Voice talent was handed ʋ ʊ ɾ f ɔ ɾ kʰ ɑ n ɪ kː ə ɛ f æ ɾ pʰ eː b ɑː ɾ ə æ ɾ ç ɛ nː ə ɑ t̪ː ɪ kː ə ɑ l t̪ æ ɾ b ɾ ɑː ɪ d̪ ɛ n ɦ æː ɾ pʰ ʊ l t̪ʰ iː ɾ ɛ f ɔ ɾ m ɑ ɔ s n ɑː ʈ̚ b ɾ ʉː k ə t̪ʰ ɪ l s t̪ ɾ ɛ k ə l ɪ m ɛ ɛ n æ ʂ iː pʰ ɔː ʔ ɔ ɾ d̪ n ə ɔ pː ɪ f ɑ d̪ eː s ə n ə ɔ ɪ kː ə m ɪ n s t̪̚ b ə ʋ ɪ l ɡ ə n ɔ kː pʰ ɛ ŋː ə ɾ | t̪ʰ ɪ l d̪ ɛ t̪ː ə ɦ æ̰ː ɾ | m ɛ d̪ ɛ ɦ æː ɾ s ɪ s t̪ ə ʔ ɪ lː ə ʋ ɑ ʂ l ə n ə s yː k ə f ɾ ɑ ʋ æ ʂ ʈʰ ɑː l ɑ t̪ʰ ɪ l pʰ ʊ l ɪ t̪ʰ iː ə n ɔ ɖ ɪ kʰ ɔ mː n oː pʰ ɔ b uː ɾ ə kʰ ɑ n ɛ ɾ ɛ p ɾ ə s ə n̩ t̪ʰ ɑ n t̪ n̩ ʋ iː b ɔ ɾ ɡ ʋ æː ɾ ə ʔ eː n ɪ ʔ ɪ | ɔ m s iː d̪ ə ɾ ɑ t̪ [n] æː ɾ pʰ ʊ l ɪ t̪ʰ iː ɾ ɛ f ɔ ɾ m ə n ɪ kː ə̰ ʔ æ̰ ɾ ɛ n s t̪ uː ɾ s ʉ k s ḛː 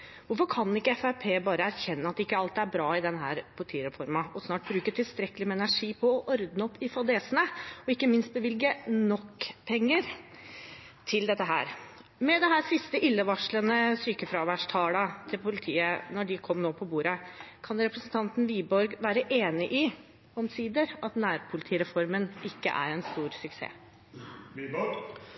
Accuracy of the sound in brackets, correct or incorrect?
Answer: correct